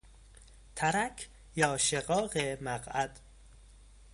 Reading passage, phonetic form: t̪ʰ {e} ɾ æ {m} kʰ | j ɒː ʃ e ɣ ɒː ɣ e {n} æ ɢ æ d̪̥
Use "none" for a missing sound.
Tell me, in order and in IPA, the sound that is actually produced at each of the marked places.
æ, none, m

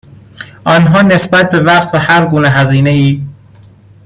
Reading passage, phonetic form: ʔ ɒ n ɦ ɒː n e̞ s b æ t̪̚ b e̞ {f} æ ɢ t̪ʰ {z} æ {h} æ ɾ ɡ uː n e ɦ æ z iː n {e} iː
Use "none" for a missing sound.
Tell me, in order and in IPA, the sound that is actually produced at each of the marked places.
v, v, h, e

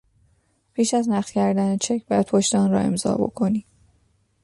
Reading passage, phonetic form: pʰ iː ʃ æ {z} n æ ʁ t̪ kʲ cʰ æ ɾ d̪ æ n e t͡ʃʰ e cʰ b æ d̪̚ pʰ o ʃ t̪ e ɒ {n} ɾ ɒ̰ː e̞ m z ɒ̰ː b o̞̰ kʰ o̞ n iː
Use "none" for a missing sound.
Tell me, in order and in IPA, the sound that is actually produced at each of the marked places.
z, n

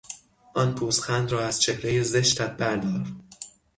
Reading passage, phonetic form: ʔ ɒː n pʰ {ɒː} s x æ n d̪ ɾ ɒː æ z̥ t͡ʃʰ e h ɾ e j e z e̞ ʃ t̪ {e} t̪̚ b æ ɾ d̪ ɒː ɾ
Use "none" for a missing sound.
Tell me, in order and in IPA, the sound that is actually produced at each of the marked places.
uː, æ

